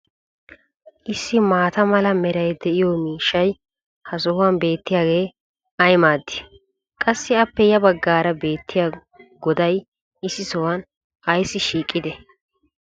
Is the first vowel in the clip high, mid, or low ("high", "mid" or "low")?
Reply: high